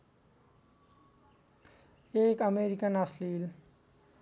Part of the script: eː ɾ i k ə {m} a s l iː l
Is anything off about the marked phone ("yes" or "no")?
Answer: yes